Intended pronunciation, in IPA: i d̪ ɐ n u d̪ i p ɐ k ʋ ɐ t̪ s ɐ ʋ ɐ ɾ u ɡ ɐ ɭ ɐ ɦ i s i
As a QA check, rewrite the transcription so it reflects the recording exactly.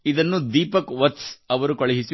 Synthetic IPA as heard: i d̪ ɐ nː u d̪ iː p ɐ k ʋ ɐ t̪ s ɐ ʋ ɐ ɾ u k ɐ ɭ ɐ ɦ i s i